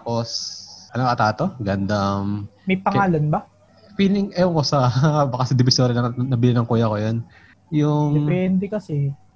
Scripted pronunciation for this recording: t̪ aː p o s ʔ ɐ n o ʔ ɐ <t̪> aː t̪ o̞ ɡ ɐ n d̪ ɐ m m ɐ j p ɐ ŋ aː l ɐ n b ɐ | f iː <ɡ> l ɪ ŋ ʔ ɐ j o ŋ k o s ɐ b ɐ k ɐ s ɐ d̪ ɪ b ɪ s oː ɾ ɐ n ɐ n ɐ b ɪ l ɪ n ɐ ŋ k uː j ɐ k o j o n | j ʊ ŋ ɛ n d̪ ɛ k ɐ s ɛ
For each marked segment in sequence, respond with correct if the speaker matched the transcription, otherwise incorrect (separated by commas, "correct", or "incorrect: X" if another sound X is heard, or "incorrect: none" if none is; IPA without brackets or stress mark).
correct, incorrect: none